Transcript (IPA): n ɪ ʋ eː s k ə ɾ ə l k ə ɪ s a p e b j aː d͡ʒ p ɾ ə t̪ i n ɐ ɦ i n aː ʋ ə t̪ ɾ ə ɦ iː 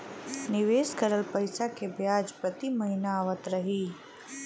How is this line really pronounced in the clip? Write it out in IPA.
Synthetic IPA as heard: n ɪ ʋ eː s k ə ɾ ə l p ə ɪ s a k e b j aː d͡ʒ p ɾ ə t̪ i m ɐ ɦ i n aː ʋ ə t̪ ɾ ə ɦ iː

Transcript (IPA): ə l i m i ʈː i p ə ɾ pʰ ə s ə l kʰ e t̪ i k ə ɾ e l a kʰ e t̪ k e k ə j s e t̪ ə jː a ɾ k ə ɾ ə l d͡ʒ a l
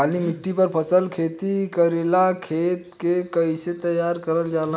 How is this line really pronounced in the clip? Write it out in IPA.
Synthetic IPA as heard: a l i m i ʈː i p ə ɾ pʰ ə s ə l kʰ e t̪ i k ə ɾ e l a kʰ e t̪ k e k ə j s e t̪ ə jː a ɾ k ə ɾ ə l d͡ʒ a l

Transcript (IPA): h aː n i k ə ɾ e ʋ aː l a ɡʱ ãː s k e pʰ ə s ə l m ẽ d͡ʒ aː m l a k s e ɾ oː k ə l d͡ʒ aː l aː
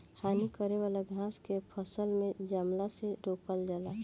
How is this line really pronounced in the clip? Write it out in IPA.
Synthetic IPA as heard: h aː n i k ə ɾ e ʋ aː l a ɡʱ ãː s k e pʰ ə s ə l m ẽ d͡ʒ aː m l a s e ɾ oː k ə l d͡ʒ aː l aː

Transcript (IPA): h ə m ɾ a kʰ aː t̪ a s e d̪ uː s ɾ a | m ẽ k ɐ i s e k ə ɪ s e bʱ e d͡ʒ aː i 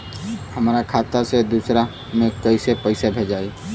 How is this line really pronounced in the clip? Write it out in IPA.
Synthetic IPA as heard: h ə m ɾ a kʰ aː t̪ a s e d̪ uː s ɾ a | m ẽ k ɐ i s e p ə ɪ s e bʱ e d͡ʒ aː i

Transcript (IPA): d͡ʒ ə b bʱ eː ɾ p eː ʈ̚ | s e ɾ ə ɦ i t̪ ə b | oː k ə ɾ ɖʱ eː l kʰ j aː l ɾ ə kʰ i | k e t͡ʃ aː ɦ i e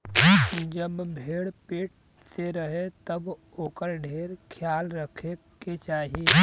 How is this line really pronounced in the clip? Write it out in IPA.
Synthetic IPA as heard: d͡ʒ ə b bʱ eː ɽ p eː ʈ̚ | s e ɾ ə ɦ e t̪ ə b | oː k ə ɾ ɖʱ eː ɾ kʰ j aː l ɾ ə kʰ e | k e t͡ʃ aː ɦ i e

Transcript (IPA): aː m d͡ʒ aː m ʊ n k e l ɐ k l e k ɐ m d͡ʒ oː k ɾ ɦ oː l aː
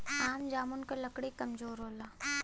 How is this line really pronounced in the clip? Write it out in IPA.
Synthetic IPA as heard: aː m d͡ʒ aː m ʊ n k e l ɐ k ɽ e k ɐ m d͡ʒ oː ɾ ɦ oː l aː

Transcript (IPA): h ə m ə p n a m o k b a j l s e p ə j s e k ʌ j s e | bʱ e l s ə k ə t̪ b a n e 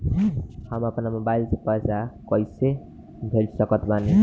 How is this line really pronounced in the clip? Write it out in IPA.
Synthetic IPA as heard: h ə m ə p n a m o b a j l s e p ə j s a k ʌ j s e | bʱ e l s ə k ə t̪ b a n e

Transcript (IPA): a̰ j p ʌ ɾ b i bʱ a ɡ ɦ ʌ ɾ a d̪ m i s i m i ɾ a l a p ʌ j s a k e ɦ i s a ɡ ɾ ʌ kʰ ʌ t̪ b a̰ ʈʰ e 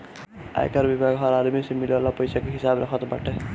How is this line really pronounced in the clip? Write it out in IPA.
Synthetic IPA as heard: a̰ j k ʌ ɾ b i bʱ a ɡ ɦ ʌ ɾ a d̪ m i s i m i l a l a p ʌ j s a k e ɦ i s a b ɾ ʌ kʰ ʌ t̪ b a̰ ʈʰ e

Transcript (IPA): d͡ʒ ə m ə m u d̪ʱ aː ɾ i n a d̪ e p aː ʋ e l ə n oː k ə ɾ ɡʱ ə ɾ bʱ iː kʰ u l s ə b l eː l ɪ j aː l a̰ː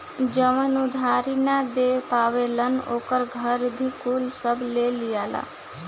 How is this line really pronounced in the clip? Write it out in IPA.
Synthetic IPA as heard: d͡ʒ ə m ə n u d̪ʱ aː ɾ i n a d̪ e p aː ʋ e l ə n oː k ə ɾ ɡʱ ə ɾ bʱ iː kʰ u l s ə b l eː l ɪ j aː l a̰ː

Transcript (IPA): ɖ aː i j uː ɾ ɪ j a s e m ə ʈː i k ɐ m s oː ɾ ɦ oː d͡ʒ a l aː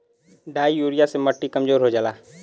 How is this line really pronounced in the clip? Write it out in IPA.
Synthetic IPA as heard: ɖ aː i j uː ɾ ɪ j a s e m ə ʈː i k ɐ m z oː ɾ ɦ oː d͡ʒ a l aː

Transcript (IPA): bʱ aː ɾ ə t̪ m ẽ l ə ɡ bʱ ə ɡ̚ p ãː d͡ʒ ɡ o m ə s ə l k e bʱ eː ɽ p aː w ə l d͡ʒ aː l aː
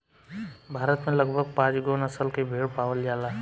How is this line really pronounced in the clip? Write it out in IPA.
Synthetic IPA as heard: bʱ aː ɾ ə t̪ m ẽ l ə ɡ bʱ ə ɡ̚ p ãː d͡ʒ ɡ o n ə s ə l k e bʱ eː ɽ p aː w ə l d͡ʒ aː l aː

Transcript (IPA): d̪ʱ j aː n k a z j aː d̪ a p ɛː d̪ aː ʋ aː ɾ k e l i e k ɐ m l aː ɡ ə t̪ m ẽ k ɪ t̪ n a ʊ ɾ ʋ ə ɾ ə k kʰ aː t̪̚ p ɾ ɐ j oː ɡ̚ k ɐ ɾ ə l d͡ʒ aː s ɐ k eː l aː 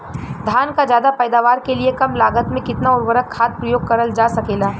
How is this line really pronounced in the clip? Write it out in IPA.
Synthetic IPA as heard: d̪ʱ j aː n k a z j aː d̪ a p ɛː d̪ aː ʋ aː ɾ k e l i e k ɐ m l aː ɡ ə t̪ m ẽ k ɪ t̪ n a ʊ ɾ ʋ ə ɾ ə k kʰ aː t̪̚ p ɾ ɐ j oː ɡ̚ k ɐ ɾ ə l d͡ʒ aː s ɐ k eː l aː

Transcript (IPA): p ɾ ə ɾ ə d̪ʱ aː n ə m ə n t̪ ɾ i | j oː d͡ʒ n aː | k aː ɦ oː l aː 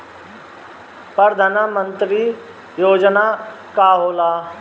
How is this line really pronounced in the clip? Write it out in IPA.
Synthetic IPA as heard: p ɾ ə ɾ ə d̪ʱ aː n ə m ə n t̪ ɾ i | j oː d͡ʒ n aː | k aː ɦ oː l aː

